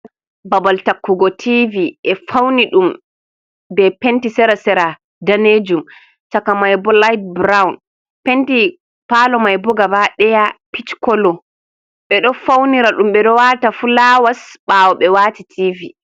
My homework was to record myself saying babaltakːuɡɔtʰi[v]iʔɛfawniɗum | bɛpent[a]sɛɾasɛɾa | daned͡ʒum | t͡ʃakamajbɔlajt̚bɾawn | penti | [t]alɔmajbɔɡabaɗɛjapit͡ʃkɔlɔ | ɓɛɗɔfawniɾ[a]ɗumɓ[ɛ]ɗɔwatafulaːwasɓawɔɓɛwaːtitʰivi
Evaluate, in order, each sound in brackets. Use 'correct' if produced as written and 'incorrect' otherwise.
correct, incorrect, incorrect, correct, correct

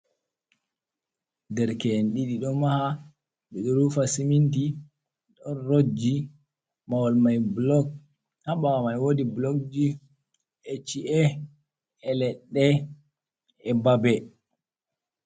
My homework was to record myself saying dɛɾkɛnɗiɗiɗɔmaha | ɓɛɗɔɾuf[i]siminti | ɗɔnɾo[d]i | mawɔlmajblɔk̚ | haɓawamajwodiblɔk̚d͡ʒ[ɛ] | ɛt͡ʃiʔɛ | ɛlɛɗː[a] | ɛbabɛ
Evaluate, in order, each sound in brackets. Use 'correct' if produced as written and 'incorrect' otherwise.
incorrect, incorrect, incorrect, incorrect

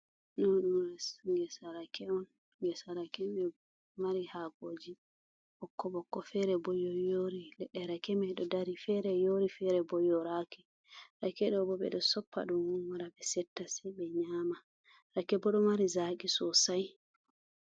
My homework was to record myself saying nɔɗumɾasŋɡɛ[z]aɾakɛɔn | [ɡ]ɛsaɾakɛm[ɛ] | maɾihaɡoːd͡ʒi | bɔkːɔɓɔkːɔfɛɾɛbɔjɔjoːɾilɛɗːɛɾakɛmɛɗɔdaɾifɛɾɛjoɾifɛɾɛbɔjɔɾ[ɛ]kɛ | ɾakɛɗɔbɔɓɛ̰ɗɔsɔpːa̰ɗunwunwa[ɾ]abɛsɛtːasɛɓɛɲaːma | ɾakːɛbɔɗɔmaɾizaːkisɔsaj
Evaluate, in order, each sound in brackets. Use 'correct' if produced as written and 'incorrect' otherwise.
incorrect, correct, correct, incorrect, correct

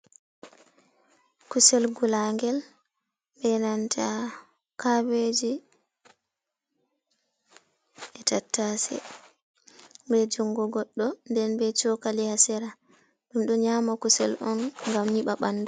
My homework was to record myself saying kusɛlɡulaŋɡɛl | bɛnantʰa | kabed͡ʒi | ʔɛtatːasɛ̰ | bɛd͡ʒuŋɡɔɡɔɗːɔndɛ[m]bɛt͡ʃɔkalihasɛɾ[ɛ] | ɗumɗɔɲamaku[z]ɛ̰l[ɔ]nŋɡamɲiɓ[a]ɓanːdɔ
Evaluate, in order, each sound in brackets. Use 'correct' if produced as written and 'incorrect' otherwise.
incorrect, incorrect, incorrect, correct, correct

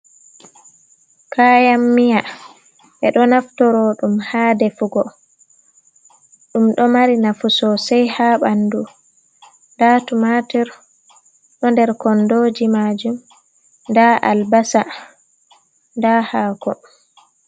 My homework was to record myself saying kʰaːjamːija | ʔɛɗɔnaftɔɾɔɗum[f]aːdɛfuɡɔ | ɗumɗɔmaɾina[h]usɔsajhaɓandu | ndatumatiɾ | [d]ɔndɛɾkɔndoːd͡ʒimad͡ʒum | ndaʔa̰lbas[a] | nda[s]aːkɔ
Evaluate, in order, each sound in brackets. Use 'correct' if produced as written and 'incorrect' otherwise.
incorrect, incorrect, incorrect, correct, incorrect

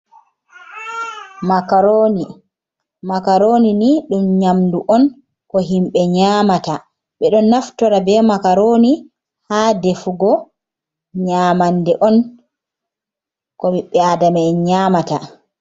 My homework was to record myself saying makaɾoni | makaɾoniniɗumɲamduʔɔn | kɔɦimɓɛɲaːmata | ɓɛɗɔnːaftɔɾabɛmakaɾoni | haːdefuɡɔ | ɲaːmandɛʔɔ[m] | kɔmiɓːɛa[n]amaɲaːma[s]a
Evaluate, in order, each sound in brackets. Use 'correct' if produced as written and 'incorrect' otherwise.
incorrect, incorrect, incorrect

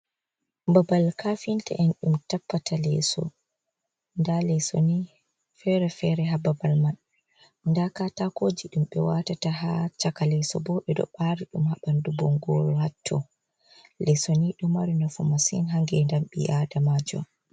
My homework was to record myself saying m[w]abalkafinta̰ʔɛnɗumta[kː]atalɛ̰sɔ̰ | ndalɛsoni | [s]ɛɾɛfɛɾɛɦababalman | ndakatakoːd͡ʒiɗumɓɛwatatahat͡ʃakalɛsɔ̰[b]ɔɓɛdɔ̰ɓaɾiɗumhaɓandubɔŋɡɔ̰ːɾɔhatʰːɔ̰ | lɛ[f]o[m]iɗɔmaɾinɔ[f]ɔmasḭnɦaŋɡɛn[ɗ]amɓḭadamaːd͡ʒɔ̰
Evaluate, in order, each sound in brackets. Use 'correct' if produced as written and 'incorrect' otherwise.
incorrect, incorrect, incorrect, correct, incorrect, incorrect, correct, incorrect

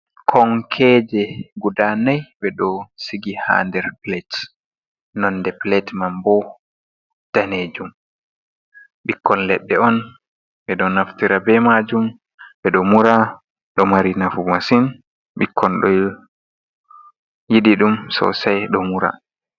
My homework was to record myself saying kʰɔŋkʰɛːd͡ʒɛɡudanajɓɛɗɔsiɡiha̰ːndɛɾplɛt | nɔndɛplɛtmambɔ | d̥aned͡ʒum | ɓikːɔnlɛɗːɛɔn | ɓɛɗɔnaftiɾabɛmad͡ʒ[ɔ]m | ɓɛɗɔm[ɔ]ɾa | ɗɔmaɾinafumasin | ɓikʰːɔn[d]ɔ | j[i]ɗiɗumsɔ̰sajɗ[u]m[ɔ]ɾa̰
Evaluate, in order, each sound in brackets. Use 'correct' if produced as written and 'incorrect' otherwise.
incorrect, incorrect, incorrect, correct, incorrect, incorrect

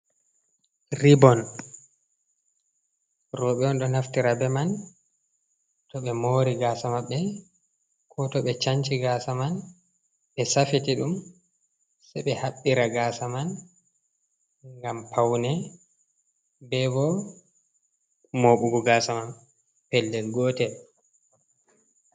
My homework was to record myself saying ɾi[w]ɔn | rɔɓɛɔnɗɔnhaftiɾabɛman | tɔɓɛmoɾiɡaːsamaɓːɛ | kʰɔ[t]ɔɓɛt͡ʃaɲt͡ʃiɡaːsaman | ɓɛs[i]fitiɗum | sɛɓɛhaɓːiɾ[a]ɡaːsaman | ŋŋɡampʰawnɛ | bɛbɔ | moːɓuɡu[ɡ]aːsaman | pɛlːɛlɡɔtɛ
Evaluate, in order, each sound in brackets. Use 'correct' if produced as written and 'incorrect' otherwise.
incorrect, correct, incorrect, correct, correct

